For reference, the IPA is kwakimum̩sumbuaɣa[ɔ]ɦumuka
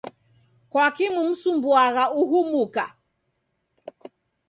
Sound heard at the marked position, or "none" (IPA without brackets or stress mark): u